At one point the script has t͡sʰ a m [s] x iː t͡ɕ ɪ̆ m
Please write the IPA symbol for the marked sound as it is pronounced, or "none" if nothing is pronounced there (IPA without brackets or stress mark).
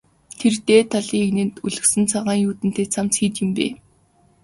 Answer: t͡s